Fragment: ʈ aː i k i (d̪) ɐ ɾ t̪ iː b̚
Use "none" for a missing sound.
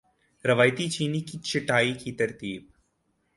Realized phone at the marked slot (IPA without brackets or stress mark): t̪